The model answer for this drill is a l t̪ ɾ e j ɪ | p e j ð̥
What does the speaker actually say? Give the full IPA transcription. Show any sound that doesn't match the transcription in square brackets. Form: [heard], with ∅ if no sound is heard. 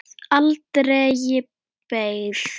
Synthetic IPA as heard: a l t̪ ɾ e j ɪ | p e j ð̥